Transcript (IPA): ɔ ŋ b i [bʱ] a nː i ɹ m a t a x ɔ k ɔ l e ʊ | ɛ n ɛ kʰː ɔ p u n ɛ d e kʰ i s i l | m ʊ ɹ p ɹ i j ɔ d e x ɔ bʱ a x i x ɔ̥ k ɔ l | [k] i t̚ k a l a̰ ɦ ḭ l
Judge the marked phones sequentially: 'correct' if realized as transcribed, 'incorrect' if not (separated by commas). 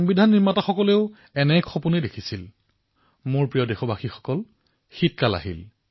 incorrect, incorrect